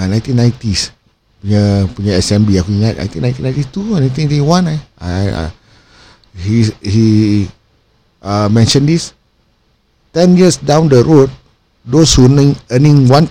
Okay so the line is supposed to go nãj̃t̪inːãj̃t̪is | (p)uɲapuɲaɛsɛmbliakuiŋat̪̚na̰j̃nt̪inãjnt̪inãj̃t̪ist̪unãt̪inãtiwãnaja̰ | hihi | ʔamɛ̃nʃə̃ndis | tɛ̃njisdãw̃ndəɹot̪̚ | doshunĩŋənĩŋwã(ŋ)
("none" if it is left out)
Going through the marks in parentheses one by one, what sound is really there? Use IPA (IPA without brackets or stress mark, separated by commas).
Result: p, n